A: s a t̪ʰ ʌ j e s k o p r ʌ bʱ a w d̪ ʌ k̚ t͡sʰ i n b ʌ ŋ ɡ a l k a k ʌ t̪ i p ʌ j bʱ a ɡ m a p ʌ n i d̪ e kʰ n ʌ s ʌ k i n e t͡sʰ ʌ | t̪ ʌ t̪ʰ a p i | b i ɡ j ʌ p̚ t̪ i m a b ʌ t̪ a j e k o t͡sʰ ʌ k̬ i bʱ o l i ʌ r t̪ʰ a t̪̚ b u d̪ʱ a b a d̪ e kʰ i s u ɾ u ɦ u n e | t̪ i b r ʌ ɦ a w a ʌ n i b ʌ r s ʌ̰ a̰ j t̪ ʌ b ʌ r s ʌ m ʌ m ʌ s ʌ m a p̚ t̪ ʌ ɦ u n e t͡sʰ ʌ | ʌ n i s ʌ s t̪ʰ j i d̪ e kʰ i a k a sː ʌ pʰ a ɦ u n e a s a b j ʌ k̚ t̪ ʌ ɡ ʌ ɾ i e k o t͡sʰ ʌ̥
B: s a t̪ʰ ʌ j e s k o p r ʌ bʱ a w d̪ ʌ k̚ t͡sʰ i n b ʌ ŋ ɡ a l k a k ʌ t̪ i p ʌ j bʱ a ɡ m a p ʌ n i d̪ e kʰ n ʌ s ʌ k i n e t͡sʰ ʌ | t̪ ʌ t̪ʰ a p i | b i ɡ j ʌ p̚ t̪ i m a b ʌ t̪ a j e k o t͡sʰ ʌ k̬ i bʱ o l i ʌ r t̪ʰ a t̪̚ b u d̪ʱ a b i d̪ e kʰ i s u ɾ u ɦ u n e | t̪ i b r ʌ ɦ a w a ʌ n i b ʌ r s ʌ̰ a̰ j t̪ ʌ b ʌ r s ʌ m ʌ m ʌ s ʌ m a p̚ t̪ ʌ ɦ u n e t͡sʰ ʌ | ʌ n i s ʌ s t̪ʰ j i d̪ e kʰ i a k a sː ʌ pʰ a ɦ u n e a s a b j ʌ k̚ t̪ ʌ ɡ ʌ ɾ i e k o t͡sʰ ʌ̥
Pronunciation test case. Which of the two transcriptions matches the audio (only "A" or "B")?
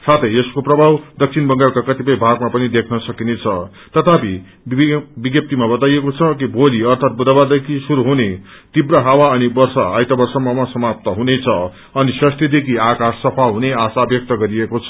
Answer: A